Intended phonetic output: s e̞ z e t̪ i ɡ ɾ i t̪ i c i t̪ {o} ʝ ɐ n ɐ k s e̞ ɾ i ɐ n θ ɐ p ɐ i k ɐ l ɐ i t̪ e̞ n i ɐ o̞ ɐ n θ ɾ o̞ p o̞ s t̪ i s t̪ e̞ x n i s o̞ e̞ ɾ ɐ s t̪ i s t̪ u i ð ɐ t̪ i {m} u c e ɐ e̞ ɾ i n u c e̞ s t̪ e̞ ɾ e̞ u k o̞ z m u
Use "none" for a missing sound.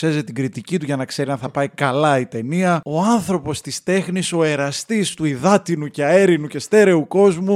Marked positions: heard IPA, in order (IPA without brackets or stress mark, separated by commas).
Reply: u, n